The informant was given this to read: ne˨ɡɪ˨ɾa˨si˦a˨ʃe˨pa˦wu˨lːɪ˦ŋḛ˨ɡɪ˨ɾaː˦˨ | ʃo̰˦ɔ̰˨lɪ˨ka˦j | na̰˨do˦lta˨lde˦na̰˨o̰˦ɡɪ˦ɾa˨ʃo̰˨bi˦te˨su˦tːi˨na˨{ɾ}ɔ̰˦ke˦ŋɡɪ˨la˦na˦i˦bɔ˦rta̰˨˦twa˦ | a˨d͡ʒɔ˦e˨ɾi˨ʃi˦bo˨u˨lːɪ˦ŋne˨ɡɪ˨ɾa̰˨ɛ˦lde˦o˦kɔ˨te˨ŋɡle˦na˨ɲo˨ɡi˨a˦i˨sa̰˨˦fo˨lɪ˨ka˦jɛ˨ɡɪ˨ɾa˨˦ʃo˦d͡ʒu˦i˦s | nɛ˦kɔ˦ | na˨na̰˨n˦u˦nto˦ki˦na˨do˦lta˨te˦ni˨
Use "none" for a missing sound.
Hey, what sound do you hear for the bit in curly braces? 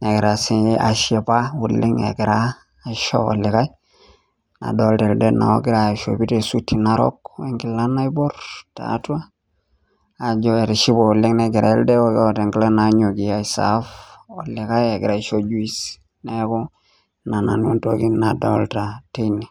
ɾ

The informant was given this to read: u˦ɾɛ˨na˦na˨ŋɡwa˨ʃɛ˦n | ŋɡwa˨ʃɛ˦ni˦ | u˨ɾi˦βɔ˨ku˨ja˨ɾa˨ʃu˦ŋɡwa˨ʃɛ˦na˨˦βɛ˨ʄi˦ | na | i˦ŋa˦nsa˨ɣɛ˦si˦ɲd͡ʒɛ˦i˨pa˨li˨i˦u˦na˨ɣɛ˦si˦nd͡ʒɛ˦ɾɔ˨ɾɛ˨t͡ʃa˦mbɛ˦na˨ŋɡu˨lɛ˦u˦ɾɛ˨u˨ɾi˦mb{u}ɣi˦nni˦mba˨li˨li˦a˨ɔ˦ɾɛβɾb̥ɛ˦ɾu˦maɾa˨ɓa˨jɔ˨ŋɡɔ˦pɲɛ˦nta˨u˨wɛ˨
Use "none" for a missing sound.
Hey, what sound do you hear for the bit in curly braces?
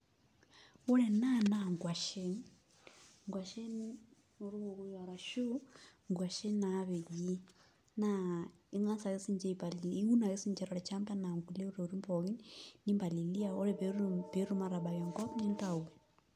ɔ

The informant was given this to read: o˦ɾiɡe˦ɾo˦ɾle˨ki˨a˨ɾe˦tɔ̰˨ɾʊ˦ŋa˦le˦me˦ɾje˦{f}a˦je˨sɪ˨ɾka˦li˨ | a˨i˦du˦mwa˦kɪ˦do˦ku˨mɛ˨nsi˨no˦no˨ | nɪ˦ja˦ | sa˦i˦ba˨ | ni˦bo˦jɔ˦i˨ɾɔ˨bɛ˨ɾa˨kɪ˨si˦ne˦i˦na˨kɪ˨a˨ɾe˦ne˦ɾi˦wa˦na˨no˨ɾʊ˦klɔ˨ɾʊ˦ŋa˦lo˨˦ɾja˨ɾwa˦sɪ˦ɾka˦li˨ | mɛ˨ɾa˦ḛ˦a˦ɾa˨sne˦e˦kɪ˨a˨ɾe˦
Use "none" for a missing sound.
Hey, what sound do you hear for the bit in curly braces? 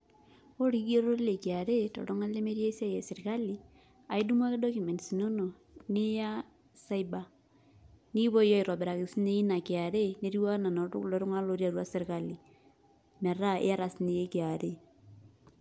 s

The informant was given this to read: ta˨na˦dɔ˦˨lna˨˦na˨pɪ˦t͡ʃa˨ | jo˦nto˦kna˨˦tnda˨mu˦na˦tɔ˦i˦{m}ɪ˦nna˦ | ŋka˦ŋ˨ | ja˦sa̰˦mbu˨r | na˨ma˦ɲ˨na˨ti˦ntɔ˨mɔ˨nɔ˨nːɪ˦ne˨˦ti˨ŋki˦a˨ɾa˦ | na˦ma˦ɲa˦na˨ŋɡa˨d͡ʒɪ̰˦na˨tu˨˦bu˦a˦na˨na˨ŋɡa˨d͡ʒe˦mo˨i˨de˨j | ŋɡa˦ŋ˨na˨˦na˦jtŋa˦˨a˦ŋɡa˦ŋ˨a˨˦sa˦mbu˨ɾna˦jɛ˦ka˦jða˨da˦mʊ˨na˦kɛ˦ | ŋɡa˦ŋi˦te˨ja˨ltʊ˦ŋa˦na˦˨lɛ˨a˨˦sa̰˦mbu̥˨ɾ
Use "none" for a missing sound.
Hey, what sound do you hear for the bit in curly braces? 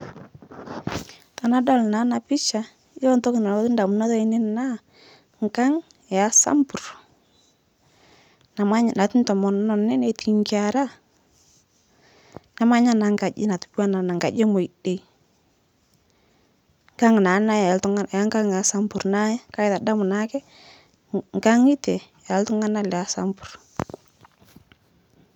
n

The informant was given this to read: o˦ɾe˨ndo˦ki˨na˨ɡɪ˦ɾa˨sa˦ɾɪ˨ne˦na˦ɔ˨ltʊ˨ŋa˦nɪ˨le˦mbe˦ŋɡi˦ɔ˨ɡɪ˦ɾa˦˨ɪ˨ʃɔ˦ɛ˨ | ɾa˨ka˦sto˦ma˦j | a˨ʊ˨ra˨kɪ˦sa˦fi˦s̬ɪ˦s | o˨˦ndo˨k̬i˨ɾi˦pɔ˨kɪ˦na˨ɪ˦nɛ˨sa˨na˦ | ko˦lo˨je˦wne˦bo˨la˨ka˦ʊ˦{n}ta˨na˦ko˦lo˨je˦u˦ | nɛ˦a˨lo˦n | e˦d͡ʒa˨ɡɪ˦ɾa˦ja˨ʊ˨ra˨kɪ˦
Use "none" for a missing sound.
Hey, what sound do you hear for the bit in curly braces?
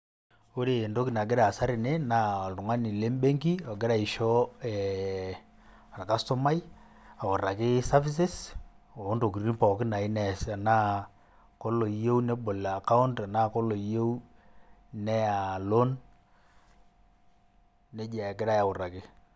n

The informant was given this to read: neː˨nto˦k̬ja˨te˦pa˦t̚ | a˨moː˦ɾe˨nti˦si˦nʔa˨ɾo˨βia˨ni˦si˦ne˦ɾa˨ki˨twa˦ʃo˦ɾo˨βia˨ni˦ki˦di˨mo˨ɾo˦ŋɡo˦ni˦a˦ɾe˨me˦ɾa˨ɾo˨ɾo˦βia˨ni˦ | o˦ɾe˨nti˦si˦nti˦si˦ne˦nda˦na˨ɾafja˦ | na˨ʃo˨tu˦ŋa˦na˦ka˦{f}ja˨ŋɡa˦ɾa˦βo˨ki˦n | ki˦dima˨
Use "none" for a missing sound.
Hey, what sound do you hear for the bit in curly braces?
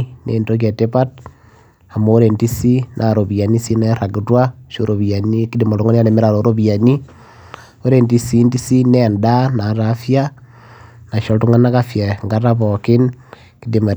f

